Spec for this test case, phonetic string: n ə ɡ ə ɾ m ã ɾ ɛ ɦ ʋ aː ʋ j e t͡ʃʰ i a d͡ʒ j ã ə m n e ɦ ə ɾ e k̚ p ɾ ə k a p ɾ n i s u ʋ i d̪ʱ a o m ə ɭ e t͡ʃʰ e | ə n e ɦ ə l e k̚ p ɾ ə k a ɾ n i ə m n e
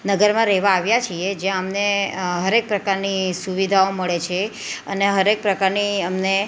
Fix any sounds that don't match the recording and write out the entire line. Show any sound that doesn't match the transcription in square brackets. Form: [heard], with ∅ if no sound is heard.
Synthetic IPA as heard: n ə ɡ ə ɾ m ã ɾ ɛ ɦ ʋ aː ʋ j [a] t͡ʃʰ i [e] d͡ʒ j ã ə m n e ɦ ə ɾ e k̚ p ɾ ə k a [∅] ɾ n i s u ʋ i d̪ʱ a o m ə ɭ e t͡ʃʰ e | ə n e ɦ ə [ɾ] e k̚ p ɾ ə k a ɾ n i ə m n e